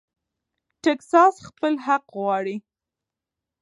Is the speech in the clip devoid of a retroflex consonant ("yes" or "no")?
no